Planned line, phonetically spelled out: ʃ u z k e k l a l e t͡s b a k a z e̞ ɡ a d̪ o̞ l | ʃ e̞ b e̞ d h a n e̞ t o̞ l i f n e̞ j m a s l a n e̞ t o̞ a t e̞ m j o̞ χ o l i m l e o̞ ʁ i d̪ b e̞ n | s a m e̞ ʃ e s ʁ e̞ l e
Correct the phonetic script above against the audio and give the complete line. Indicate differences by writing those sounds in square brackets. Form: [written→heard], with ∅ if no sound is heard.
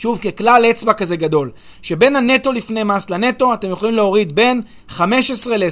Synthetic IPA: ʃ u [z→v] k e k l a l e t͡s b a k a z e̞ ɡ a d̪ o̞ l | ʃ e̞ b e̞ [d→n] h a n e̞ t o̞ l i f n e̞ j m a s l a n e̞ t o̞ a t e̞ m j o̞ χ o l i m l e o̞ ʁ i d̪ b e̞ n | [s→χ] a m e̞ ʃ e s ʁ e̞ l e